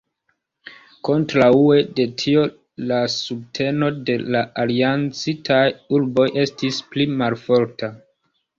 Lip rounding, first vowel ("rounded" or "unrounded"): rounded